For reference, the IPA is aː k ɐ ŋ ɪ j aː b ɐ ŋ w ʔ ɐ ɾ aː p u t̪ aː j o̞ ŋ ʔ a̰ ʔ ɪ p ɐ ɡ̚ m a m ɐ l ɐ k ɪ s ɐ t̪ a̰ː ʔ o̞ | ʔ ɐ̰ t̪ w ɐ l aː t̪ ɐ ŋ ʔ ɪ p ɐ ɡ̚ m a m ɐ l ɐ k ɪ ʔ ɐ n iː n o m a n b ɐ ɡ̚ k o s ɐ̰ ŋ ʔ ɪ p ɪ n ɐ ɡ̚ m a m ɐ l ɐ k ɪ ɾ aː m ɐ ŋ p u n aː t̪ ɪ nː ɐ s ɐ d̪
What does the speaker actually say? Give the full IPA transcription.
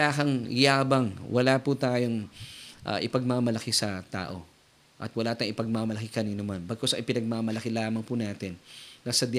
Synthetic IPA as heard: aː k ɐ ŋ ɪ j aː b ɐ ŋ w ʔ ɐ l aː p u t̪ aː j o̞ ŋ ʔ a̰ ʔ ɪ p ɐ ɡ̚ m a m ɐ l ɐ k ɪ s ɐ t̪ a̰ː ʔ o̞ | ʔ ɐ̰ t̪ w ɐ l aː t̪ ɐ ŋ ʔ ɪ p ɐ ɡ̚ m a m ɐ l ɐ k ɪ k ɐ n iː n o m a n b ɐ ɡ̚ k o s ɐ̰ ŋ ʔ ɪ p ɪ n ɐ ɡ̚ m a m ɐ l ɐ k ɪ l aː m ɐ ŋ p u n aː t̪ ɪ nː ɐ s ɐ d̪